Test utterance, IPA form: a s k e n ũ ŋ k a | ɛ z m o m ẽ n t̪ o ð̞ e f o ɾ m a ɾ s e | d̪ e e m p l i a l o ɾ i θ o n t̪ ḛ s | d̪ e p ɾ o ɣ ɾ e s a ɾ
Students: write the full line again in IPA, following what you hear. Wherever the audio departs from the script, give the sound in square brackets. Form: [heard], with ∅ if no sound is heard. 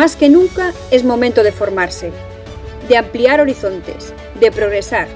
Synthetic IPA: a s k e n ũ ŋ k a | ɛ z m o m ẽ n t̪ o ð̞ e f o ɾ m a ɾ s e | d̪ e [a] m p l i a [ɾ] o ɾ i θ o n t̪ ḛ s | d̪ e p ɾ o ɣ ɾ e s a ɾ